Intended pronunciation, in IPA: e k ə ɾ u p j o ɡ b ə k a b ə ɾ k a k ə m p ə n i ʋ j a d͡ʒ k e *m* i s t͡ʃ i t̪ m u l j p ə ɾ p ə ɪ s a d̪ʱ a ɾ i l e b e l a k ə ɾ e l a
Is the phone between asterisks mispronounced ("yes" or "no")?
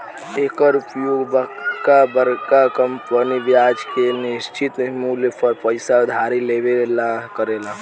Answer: yes